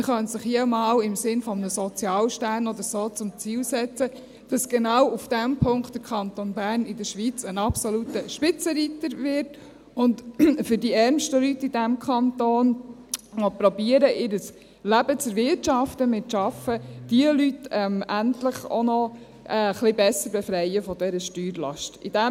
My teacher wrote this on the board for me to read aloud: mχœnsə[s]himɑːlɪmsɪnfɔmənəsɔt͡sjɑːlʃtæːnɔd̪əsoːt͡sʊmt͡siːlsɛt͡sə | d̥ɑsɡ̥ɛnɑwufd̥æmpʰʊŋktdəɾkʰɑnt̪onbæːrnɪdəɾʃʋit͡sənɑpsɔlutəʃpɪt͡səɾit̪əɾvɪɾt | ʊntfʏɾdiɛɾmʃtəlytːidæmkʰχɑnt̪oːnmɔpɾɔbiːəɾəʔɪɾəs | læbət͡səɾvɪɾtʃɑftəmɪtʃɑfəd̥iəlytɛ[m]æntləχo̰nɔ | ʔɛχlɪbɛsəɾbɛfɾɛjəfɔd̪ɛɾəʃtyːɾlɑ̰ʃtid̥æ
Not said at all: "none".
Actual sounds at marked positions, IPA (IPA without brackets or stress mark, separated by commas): χ, m